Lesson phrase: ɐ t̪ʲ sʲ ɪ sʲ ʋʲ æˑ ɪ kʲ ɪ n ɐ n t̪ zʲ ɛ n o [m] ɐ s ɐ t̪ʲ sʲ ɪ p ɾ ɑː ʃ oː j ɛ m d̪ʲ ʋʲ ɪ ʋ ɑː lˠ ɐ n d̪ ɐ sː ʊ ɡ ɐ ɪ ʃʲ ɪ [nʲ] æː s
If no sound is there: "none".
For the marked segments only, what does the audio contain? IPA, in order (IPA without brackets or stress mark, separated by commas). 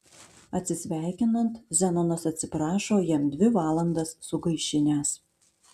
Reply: n, nʲ